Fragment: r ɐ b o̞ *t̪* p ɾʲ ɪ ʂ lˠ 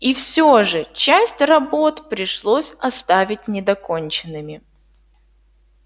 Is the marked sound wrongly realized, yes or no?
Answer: no